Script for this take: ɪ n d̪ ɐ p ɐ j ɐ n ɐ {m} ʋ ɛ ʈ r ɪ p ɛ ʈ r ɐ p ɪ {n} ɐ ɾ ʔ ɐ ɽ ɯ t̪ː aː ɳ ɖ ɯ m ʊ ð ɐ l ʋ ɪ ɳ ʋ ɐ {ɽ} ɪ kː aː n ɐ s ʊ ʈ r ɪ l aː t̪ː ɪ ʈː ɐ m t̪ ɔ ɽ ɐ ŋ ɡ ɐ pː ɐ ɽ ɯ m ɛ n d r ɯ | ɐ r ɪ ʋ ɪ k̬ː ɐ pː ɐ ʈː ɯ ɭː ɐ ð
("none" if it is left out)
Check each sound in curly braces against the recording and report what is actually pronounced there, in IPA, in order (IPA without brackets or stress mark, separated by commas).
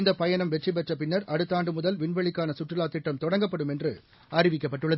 m, nː, ɭ